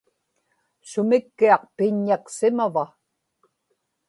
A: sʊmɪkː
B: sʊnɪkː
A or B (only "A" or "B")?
A